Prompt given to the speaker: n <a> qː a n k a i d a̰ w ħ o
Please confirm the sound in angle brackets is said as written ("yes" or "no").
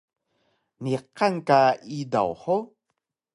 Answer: no